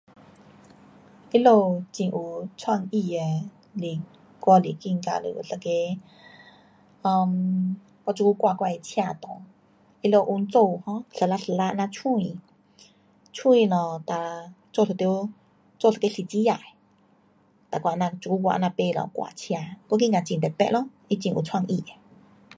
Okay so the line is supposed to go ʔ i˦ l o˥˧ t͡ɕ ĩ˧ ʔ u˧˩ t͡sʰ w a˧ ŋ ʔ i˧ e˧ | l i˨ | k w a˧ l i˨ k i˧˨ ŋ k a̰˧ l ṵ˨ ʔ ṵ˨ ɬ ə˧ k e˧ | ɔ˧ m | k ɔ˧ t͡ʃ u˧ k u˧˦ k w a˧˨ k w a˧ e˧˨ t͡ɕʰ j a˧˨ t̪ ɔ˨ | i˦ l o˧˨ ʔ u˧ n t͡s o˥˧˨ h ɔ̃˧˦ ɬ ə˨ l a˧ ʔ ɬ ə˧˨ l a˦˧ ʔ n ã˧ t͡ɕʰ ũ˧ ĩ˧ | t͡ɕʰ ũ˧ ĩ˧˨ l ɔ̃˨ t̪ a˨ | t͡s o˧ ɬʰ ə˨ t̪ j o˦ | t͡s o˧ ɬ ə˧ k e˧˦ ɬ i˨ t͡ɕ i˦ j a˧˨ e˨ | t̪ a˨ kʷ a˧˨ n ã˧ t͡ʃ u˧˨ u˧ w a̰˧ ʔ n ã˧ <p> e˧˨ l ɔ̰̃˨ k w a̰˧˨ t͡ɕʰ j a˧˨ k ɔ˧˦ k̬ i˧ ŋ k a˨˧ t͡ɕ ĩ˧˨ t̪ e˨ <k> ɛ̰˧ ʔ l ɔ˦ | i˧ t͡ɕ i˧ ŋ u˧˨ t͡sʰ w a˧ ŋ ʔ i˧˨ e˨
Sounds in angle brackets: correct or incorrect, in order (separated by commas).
correct, incorrect